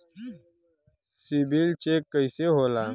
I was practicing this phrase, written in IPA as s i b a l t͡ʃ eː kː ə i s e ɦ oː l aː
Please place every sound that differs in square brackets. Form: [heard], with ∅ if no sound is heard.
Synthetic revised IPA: s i b [i] l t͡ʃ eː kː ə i s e ɦ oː l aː